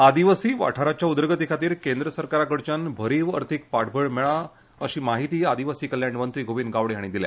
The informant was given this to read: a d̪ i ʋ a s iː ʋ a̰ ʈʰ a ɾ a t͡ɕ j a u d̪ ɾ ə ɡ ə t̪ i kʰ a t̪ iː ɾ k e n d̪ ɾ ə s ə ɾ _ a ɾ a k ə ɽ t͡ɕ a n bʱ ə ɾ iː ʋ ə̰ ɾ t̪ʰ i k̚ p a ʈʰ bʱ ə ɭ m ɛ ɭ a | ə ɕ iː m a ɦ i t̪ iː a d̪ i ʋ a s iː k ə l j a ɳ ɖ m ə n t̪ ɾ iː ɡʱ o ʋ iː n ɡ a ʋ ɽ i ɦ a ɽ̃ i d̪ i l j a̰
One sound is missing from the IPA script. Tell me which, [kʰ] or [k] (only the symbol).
k